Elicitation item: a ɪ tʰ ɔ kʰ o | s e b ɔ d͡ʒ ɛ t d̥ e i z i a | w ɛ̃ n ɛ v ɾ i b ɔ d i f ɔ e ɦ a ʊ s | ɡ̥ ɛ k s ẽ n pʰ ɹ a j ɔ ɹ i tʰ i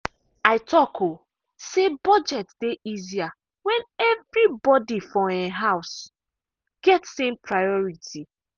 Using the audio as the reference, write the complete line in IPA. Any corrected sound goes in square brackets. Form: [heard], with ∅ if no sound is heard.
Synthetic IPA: a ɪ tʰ ɔ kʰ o | s e b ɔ d͡ʒ ɛ t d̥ e i z i a | w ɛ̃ n ɛ v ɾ i b ɔ d i f ɔ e ɦ a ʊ s | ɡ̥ ɛ [t] s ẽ [m] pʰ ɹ a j ɔ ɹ i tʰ i